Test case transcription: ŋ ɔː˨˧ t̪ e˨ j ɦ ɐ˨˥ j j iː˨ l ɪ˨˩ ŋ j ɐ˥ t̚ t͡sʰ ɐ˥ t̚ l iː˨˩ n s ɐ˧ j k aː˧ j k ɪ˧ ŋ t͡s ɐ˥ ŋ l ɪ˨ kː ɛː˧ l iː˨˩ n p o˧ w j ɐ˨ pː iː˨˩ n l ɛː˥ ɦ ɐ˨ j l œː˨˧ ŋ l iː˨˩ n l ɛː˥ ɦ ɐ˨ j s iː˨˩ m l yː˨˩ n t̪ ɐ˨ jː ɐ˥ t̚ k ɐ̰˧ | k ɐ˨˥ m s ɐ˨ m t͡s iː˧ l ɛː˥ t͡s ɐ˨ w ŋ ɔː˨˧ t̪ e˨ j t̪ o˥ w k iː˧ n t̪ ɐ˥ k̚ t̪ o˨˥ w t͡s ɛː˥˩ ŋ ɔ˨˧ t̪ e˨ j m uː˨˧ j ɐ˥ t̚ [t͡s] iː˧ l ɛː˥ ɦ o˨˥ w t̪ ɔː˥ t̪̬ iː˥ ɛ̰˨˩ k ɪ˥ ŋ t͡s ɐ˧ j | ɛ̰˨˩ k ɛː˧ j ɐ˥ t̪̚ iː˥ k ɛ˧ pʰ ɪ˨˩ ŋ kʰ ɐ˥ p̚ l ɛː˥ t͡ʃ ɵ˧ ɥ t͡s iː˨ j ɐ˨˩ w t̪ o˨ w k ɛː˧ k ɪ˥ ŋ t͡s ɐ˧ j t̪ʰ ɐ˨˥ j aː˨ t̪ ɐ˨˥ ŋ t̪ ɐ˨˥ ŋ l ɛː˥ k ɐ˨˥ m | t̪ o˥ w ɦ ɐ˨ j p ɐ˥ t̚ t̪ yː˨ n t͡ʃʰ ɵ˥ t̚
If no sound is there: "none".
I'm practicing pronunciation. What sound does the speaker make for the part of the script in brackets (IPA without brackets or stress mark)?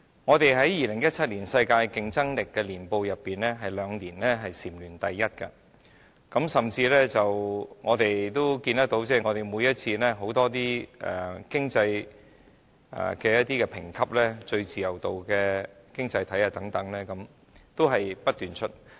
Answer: t͡sʰ